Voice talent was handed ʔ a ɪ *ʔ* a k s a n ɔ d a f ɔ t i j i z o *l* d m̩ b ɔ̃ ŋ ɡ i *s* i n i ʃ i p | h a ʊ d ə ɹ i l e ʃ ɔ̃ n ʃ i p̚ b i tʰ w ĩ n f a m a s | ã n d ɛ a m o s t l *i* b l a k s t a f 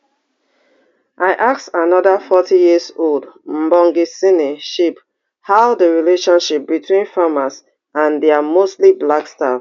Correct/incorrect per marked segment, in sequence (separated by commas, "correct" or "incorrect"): correct, correct, correct, correct